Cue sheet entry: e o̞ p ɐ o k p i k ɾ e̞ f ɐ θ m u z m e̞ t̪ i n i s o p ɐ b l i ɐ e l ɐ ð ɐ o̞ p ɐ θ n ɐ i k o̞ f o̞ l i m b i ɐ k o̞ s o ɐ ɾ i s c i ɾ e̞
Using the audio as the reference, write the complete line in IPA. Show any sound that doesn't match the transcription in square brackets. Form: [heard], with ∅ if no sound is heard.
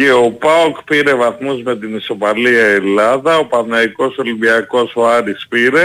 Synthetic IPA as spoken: e o̞ p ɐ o k p i [∅] ɾ e̞ [v] ɐ θ m u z m e̞ t̪ i n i s o p ɐ [∅] l i ɐ e l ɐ ð ɐ o̞ p ɐ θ n ɐ i k o̞ [s] o̞ l i m b i ɐ k o̞ s o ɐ ɾ i s [p] i ɾ e̞